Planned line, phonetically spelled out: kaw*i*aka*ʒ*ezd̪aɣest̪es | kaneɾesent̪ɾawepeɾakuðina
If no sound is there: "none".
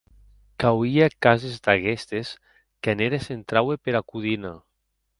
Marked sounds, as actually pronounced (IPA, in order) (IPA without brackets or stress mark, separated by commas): i, z